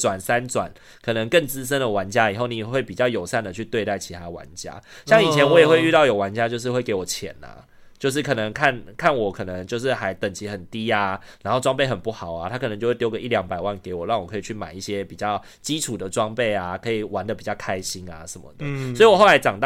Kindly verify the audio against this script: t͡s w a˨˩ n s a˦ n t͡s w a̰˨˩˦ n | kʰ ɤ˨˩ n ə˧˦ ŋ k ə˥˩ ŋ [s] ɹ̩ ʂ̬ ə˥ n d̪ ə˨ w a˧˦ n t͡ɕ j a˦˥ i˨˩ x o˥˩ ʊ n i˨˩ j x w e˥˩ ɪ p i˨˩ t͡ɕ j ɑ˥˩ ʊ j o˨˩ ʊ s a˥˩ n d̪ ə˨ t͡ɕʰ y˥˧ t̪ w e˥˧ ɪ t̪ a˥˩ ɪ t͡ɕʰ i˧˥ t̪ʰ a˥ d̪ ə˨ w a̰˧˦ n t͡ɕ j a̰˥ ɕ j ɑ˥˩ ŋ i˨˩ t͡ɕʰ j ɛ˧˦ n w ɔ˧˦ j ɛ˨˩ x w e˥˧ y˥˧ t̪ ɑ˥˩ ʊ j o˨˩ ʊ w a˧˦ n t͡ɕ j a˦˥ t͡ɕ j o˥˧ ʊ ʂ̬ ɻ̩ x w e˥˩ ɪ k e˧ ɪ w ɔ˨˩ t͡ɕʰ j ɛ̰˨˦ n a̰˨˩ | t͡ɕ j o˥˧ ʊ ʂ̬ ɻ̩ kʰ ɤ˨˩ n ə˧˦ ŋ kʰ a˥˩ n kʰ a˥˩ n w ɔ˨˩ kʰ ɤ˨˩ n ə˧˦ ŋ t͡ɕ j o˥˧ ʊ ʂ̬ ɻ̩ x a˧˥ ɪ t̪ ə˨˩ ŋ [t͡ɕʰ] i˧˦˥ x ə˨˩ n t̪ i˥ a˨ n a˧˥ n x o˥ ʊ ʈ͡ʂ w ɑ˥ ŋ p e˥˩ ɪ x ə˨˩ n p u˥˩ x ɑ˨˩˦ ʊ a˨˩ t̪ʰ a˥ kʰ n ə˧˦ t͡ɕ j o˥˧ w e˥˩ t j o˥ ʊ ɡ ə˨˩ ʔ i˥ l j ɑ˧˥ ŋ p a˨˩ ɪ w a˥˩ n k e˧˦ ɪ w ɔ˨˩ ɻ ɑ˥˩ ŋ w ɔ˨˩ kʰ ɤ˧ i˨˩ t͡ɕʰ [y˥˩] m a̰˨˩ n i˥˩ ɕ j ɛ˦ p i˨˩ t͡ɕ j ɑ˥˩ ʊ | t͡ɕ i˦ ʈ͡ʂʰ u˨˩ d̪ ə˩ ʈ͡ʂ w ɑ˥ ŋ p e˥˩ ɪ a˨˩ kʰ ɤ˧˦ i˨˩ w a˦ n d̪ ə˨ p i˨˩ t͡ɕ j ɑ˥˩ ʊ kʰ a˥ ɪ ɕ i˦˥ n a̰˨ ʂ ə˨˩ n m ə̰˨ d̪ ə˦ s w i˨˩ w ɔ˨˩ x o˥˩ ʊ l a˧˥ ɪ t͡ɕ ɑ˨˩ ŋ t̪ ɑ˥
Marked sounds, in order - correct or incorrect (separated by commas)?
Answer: incorrect, correct, correct